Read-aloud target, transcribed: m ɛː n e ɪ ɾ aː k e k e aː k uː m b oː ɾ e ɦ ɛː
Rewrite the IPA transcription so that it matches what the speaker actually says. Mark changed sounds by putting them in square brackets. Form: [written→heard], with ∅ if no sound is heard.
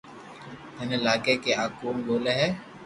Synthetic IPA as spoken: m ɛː n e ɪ [ɾ→l] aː k e k e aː k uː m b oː [ɾ→l] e ɦ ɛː

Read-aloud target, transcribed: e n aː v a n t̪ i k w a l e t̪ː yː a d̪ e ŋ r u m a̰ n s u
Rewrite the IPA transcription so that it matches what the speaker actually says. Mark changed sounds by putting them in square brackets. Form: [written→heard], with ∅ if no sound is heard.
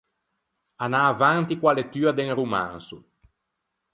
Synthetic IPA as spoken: [e→a] n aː v a n t̪ i k w a l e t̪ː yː a d̪ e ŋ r u m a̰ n s u

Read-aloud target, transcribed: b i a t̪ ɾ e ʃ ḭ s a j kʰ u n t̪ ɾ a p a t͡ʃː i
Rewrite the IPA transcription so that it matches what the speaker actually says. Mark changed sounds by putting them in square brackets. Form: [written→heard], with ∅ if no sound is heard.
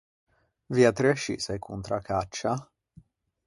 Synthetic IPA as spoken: [b→v] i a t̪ ɾ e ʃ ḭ s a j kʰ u n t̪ ɾ a [p→k] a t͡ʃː [i→a]

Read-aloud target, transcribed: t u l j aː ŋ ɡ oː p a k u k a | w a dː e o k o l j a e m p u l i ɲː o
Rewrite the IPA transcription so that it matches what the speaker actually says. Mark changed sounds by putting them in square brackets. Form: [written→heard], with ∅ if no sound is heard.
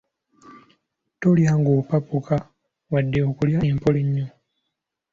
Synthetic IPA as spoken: t [u→o] l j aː ŋ ɡ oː p a [k→p] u k a | w a dː e o k [o→u] l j a e m p [u→o] l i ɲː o

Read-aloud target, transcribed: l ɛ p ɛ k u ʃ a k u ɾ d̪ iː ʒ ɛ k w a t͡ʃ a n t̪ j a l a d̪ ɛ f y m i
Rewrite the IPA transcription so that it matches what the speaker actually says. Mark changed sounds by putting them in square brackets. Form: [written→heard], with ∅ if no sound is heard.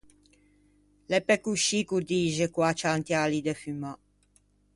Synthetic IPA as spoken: l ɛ p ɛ k u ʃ [a→i] k u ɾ d̪ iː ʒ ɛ k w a t͡ʃ a n t̪ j a l [a→i] d̪ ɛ f y m [i→a]

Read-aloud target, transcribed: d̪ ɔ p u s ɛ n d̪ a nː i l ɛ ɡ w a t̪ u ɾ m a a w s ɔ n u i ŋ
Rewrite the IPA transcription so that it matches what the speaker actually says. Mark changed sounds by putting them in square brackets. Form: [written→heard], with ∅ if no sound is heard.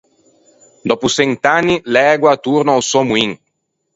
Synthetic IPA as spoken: d̪ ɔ p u s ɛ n [d̪→t̪] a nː i l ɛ ɡ w a t̪ u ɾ [m→n] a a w s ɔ [n→m] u i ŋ

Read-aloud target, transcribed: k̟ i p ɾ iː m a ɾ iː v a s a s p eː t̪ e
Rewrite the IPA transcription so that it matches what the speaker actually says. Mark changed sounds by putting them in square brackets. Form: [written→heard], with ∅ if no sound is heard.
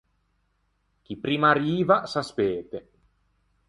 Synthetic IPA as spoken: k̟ i p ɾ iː m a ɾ iː v a s a s p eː t̪ e

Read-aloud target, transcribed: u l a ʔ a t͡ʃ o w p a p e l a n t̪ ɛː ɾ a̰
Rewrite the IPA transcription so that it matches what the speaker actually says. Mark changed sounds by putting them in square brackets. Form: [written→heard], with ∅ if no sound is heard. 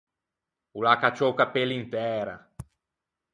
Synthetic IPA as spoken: u l a [ʔ→k] a t͡ʃ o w [p→k] a p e l [a→i] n t̪ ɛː ɾ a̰

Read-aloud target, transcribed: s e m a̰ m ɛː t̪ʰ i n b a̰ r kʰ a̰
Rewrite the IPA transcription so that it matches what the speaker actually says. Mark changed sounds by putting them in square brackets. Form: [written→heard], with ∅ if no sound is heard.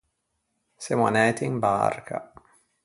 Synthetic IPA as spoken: s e m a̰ [m→n] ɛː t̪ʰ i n b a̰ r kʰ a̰

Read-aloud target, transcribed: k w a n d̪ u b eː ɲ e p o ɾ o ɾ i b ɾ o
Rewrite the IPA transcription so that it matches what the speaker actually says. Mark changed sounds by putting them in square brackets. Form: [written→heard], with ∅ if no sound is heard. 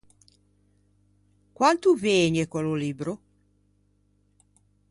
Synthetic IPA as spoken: k w a n [d̪→t̪] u [b→v] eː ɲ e [p→k] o [ɾ→l] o [ɾ→l] i b ɾ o

